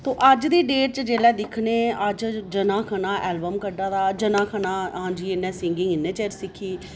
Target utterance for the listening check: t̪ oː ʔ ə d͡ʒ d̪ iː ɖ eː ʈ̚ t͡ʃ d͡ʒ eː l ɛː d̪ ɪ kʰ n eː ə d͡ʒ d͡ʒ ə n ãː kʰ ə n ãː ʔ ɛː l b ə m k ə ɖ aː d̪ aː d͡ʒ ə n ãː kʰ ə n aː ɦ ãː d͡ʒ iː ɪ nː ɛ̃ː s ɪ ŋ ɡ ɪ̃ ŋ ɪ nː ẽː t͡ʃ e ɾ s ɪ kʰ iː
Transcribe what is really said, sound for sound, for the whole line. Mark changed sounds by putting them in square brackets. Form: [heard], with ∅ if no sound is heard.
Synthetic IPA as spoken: t̪ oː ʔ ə d͡ʒ d̪ iː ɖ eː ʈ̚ t͡ʃ d͡ʒ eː l ɛː d̪ ɪ kʰ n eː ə d͡ʒ d͡ʒ ə n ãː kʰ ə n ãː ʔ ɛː l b ə m k ə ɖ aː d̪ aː d͡ʒ ə n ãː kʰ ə n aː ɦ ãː d͡ʒ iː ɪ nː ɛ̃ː s ɪ ŋ ɡ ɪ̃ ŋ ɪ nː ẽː t͡ʃ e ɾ s ɪ kʰ iː

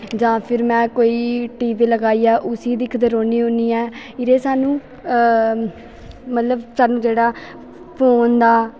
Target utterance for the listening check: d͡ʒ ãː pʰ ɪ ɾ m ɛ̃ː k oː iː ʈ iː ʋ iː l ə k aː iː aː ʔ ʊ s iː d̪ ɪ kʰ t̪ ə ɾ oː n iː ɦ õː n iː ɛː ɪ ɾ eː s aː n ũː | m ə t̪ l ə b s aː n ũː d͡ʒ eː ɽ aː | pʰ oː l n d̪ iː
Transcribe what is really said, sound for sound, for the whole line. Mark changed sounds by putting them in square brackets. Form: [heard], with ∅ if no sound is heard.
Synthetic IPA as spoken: d͡ʒ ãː pʰ ɪ ɾ m ɛ̃ː k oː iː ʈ iː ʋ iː l ə [ɡ] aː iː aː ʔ ʊ s iː d̪ ɪ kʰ [d̪] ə ɾ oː n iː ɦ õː n iː ɛː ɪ ɾ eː s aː n ũː | m ə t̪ l ə b s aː n ũː d͡ʒ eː ɽ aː | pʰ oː [∅] n d̪ [aː]

